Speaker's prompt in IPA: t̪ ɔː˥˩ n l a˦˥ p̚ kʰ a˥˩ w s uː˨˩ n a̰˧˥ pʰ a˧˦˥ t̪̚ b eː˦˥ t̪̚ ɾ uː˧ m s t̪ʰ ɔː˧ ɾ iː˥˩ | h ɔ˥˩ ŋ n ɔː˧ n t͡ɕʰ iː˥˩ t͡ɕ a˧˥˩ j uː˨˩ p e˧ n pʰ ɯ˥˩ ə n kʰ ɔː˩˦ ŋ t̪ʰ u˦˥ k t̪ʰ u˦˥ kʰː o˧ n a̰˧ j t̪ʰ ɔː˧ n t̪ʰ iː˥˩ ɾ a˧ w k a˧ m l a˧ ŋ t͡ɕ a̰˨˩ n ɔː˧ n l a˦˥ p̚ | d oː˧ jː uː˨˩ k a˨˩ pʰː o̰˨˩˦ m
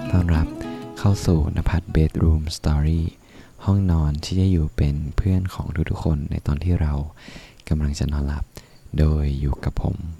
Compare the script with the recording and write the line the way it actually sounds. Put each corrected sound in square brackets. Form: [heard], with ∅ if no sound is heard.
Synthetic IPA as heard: t̪ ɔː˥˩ n [ɾ] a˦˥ p̚ kʰ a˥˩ w s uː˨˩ n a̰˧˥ pʰ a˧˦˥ t̪̚ b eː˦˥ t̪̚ ɾ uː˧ m s [t̪] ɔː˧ ɾ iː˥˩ | h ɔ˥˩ ŋ n ɔː˧ n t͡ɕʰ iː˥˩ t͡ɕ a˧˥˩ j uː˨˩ p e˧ n pʰ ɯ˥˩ ə n kʰ ɔː˩˦ ŋ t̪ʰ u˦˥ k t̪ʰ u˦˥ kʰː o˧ [nː] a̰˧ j [t̪] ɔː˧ n t̪ʰ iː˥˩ ɾ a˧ w k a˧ m l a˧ ŋ t͡ɕ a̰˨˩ n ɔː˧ n l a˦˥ p̚ | d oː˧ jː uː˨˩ k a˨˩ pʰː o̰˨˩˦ m